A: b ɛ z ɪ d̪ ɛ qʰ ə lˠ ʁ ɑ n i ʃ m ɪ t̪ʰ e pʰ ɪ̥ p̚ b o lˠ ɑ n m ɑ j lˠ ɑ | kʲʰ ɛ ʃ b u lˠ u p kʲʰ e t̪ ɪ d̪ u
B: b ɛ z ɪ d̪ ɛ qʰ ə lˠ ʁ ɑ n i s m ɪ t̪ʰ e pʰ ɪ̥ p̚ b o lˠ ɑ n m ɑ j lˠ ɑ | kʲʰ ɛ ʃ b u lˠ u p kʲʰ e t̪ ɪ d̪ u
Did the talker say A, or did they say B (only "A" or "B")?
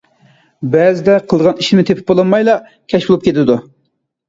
A